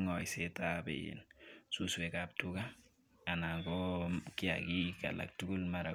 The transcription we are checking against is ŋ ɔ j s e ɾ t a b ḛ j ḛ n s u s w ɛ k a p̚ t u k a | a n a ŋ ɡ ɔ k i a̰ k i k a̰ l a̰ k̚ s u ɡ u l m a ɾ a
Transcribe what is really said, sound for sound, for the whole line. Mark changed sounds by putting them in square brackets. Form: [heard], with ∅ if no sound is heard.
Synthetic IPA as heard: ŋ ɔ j s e [∅] t a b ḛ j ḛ n s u s w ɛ k a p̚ t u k a | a n a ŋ ɡ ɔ k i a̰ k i k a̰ l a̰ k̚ [t] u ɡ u l m a ɾ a